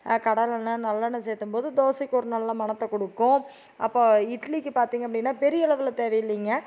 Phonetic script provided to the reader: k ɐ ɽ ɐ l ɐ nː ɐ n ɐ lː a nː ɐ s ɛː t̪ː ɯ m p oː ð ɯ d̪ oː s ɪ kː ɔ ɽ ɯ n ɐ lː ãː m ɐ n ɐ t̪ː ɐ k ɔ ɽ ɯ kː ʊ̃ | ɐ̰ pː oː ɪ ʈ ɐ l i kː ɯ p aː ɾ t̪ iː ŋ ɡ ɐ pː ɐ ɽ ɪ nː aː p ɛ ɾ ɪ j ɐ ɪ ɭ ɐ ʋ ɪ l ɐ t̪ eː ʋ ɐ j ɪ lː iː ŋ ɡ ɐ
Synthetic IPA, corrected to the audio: k ɐ ɽ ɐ l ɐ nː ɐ n ɐ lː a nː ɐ s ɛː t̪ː ɯ m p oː ð ɯ d̪ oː s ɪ kː ɔ ɾ ɯ n ɐ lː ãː m ɐ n ɐ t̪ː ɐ k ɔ ɽ ɯ kː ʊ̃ | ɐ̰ pː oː ɪ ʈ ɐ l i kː ɯ p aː ɾ t̪ iː ŋ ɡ ɐ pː ɐ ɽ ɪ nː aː p ɛ ɾ ɪ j ɐ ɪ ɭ ɐ ʋ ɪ l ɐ t̪ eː ʋ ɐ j ɪ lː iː ŋ ɡ ɐ